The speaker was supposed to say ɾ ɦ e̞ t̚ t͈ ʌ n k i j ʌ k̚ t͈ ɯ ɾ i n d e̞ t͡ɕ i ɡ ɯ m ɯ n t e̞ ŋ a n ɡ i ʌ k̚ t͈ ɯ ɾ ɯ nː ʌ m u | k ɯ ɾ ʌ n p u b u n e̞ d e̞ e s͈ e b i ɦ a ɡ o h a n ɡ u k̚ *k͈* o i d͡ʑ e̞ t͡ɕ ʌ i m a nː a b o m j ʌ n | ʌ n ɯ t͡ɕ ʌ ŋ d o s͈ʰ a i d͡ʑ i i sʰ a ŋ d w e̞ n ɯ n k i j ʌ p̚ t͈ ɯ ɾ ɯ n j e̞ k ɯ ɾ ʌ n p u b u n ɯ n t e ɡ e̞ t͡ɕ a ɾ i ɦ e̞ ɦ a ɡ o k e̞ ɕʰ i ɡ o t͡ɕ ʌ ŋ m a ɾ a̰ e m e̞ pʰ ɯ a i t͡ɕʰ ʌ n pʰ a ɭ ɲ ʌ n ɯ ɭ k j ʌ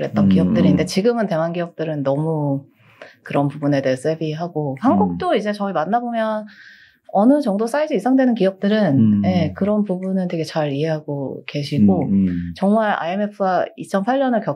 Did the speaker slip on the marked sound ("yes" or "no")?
yes